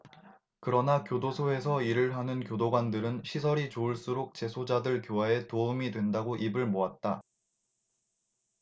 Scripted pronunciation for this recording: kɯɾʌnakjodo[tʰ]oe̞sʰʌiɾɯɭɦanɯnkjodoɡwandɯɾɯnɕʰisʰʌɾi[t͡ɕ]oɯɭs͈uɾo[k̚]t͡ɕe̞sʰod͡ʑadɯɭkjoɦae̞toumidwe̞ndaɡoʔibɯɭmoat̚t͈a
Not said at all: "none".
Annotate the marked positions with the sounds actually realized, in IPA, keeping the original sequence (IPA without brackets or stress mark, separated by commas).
sʰ, t͡ɕ, k̚